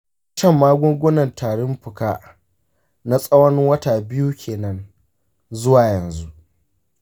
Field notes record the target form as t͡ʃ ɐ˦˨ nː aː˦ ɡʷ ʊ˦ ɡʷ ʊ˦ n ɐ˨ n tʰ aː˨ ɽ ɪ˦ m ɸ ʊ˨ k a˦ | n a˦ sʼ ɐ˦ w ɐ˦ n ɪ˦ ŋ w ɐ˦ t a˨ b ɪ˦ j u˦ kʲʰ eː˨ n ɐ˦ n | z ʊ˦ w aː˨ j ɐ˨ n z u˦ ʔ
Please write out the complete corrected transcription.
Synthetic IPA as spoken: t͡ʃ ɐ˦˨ mː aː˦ ɡʷ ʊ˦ ɡʷ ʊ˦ n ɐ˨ n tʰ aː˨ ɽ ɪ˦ m ɸ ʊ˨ k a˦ | n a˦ sʼ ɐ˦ w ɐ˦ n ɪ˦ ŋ w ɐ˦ t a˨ b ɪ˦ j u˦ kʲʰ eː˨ n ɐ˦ n | z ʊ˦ w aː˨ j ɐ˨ n z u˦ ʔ

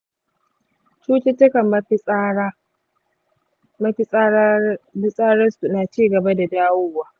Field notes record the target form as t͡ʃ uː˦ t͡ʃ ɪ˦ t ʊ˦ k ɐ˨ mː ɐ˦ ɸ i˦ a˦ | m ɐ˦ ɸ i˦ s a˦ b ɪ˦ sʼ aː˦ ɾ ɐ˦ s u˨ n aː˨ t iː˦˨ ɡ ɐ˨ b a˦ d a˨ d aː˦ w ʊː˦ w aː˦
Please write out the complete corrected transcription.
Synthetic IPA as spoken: t͡ʃ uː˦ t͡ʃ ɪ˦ t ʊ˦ k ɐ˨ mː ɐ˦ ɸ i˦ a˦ | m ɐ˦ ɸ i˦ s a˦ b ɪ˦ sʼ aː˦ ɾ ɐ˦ s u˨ n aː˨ t͡ʃ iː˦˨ ɡ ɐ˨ b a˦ d a˨ d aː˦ w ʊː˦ w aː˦

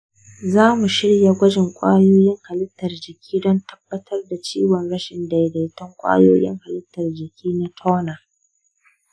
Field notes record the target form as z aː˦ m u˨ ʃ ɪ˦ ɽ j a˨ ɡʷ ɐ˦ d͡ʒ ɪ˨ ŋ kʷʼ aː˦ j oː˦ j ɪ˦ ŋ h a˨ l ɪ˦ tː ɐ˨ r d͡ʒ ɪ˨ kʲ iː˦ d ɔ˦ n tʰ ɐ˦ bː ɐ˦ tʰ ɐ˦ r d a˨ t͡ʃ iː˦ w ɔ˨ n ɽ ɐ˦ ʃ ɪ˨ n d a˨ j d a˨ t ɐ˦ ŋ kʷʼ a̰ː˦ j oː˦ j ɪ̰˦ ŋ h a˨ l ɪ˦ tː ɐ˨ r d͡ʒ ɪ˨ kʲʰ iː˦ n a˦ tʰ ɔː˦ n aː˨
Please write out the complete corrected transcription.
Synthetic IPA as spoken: z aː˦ m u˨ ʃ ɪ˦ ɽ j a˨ ɡʷ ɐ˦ d͡ʒ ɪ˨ ŋ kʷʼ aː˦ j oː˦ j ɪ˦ ŋ h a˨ l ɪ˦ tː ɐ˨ r d͡ʒ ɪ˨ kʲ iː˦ d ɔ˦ n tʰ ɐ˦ bː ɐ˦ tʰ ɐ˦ r d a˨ t͡ʃ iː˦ w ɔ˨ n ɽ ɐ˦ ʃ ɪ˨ n d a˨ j d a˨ t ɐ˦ ŋ kʷʼ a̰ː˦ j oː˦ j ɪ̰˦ ŋ h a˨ l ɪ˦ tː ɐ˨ r d͡ʒ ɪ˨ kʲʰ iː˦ n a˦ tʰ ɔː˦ n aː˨

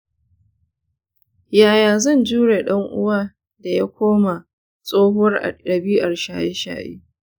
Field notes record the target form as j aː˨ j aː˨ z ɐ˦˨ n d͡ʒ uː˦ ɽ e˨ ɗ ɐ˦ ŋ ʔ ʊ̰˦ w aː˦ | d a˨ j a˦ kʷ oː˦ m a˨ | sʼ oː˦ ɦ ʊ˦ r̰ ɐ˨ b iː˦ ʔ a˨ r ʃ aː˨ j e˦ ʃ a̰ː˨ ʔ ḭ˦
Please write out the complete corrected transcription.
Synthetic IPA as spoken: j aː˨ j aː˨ z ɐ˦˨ n d͡ʒ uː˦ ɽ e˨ ɗ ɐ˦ ŋ ʔ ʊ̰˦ w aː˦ | d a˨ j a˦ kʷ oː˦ m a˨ | sʼ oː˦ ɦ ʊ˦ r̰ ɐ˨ b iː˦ ʔ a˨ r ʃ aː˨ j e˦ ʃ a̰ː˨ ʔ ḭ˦

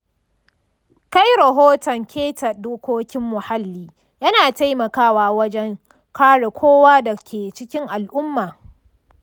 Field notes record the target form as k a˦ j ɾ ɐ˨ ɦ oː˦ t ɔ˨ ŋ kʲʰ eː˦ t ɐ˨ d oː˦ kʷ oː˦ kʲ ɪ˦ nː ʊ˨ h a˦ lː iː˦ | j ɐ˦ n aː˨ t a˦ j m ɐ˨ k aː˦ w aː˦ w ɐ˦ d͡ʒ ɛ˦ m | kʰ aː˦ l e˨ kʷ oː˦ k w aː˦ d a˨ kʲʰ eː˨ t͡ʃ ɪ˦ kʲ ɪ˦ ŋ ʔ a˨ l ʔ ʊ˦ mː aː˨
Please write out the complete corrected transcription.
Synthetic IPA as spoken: k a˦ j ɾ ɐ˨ ɦ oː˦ t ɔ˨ ŋ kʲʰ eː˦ t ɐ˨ d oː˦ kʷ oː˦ kʲ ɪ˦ mː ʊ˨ h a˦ lː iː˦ | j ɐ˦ n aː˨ t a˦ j m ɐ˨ k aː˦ w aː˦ w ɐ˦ d͡ʒ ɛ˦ ŋ | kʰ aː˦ ɽ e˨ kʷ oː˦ w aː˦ d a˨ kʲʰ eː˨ t͡ʃ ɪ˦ kʲ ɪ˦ ŋ ʔ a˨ l ʔ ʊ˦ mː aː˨

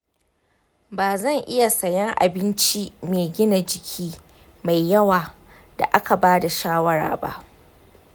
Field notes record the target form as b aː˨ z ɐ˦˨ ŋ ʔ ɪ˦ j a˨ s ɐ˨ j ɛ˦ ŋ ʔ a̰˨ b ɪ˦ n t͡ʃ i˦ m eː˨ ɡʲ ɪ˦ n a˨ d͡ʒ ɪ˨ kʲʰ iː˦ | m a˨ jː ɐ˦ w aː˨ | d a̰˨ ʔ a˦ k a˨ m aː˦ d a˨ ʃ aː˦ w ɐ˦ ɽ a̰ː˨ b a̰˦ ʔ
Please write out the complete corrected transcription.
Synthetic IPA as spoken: b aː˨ z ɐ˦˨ ŋ ʔ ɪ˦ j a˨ s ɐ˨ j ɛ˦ ŋ ʔ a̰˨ b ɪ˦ n t͡ʃ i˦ m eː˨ ɡʲ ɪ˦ n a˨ d͡ʒ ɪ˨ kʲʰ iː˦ | m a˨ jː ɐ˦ w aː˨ | d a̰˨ ʔ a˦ k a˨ b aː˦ d a˨ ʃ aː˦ w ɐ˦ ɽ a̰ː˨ b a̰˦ ʔ

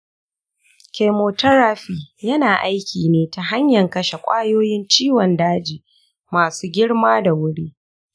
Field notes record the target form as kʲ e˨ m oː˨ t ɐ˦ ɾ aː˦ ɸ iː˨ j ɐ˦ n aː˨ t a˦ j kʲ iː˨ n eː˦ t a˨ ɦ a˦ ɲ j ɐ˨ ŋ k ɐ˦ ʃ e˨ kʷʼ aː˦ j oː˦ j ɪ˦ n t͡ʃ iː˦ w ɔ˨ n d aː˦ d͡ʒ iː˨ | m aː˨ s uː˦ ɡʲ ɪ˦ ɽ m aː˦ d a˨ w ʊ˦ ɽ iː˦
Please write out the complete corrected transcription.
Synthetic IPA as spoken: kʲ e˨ m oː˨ t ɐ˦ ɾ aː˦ ɸ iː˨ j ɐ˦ n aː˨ ʔ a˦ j kʲ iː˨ n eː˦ t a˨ ɦ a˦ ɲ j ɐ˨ ŋ k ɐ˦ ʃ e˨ kʷʼ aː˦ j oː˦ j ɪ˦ n t͡ʃ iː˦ w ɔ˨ n d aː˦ d͡ʒ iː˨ | m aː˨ s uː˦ ɡʲ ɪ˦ ɽ m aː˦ d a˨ w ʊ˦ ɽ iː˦

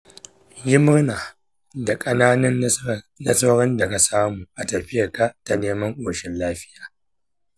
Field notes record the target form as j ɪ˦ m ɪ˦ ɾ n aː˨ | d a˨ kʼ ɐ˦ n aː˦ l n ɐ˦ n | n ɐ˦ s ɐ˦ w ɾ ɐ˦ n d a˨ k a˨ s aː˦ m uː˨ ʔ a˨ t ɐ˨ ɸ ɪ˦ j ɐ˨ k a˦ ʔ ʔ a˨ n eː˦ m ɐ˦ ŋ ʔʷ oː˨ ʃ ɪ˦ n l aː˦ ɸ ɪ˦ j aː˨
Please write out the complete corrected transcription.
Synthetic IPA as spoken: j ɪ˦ m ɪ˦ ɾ n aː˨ | d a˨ kʼ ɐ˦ n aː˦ n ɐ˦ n | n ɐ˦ s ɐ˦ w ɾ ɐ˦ n d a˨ k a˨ s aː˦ m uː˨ ʔ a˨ t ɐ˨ ɸ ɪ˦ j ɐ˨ k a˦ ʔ t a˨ n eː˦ m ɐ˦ ŋ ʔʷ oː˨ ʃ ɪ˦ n l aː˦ ɸ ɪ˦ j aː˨

